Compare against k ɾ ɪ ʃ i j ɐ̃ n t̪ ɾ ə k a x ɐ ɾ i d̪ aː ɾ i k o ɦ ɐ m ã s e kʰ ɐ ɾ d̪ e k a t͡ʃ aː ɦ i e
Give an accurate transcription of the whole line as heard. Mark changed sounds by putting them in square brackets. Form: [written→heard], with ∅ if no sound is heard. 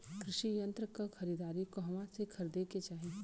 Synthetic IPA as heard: k ɾ ɪ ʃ i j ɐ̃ n t̪ ɾ ə k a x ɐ ɾ i d̪ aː ɾ i k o ɦ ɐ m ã s e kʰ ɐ ɾ d̪ e k [a→e] t͡ʃ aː ɦ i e